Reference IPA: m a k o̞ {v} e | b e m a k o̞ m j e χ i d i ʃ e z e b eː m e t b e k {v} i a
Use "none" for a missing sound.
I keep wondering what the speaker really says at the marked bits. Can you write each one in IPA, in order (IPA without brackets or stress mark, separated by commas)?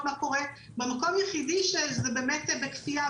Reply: ʁ, f